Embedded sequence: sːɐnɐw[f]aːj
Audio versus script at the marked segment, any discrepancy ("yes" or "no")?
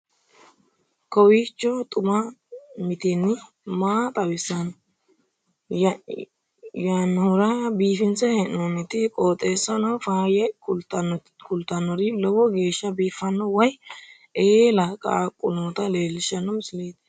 no